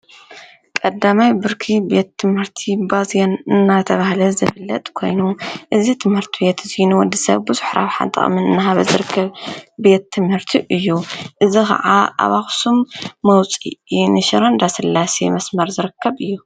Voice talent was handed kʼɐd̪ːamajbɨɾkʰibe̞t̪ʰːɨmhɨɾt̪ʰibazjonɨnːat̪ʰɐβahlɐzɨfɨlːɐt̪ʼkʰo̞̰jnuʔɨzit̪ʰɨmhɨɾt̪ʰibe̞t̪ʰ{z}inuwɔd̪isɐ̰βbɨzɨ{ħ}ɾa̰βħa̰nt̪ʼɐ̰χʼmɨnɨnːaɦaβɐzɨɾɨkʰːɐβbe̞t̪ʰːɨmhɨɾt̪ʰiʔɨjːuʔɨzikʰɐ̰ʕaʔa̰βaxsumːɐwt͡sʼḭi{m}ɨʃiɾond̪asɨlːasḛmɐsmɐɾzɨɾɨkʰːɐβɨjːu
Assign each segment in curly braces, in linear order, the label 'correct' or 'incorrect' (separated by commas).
correct, correct, incorrect